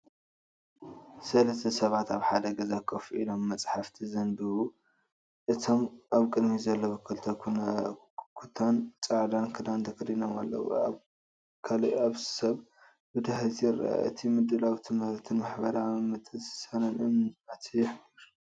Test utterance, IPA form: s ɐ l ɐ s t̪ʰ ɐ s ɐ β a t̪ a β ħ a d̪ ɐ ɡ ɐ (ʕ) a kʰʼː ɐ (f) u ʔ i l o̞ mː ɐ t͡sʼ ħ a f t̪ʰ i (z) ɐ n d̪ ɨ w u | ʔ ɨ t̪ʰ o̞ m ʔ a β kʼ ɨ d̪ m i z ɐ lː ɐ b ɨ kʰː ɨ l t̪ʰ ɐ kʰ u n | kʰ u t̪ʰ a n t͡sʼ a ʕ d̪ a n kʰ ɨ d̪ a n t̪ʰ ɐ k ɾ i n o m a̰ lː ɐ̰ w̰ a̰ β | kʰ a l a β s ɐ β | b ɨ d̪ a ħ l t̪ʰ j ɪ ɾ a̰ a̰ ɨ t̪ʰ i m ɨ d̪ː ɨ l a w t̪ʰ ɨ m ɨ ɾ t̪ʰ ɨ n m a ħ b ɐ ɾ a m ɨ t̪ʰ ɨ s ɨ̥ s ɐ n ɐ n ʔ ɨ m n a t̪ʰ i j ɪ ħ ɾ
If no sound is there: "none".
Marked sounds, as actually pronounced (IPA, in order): z, f, z

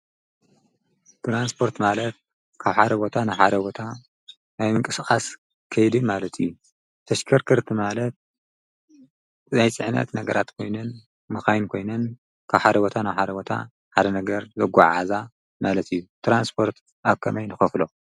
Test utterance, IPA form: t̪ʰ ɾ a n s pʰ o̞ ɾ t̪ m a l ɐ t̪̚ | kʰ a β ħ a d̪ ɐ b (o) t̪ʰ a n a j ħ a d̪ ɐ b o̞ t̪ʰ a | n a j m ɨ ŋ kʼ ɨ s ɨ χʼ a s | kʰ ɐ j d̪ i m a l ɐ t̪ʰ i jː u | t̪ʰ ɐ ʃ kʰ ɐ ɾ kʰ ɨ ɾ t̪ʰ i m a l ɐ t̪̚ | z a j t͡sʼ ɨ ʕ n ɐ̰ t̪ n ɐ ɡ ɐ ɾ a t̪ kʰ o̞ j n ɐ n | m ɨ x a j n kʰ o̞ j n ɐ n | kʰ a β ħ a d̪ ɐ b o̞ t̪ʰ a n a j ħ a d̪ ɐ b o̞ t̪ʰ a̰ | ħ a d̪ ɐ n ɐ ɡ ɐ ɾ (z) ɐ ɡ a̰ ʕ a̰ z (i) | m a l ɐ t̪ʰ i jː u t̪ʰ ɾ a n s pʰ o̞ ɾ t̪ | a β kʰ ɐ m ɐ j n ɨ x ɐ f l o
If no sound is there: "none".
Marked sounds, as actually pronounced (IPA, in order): o, z, a

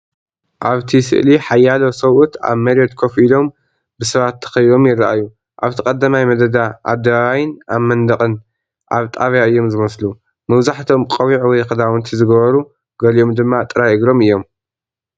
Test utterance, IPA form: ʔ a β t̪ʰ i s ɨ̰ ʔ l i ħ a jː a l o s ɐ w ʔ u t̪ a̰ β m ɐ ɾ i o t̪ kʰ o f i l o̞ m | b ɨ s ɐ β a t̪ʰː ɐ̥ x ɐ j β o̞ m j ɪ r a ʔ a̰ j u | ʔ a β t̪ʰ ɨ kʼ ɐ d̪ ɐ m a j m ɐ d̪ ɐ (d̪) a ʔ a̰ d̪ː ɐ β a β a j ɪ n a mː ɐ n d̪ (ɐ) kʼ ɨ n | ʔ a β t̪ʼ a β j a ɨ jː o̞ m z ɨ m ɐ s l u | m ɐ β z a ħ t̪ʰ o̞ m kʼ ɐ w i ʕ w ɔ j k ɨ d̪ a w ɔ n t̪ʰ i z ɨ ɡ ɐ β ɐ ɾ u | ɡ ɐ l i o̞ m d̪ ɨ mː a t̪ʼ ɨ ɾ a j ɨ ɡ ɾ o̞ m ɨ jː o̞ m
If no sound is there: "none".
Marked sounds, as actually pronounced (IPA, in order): d̪, ɐ

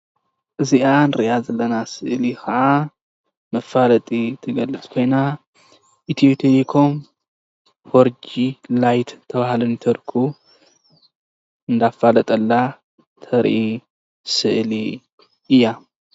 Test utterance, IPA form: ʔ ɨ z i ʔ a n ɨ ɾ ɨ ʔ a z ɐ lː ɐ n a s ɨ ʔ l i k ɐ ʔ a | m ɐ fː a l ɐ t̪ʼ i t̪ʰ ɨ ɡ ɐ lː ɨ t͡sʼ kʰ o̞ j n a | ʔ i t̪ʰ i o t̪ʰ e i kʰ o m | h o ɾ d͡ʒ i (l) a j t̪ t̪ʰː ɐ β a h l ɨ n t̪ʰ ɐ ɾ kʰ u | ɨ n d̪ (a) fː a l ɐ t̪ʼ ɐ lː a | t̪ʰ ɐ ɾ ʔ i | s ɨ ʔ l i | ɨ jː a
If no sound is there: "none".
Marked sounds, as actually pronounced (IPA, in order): l, a

